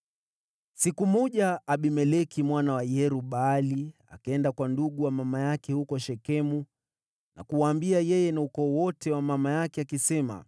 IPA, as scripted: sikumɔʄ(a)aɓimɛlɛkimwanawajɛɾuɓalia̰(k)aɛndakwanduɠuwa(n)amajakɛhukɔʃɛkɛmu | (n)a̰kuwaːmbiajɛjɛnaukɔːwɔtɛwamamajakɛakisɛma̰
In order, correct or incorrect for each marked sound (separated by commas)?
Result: correct, correct, incorrect, correct